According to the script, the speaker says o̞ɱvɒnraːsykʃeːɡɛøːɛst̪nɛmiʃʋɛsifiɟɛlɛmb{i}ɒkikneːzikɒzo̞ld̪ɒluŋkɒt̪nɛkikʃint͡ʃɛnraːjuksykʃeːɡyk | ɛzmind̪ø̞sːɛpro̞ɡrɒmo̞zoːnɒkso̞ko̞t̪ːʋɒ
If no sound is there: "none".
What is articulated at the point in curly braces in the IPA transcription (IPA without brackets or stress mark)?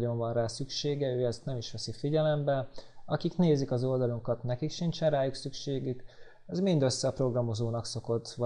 ɛ